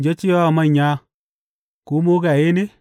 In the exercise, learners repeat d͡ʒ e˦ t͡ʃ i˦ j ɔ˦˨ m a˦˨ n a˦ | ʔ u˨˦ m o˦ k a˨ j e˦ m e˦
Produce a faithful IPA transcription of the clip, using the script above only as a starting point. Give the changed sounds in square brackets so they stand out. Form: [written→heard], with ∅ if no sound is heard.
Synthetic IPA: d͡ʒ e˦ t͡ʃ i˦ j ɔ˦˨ m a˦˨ [n→ɲ] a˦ | [ʔ→k] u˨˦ m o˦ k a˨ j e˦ [m→n] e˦